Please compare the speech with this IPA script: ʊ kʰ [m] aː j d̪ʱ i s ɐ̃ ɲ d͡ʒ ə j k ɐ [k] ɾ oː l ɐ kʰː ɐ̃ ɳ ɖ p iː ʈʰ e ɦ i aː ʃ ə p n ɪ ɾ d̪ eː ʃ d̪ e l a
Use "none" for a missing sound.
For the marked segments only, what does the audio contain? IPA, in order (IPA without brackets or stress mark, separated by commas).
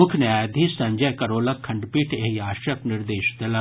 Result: n, none